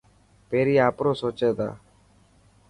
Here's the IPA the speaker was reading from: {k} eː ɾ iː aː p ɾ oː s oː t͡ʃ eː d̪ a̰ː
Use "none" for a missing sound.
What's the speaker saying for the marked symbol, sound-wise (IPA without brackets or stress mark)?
p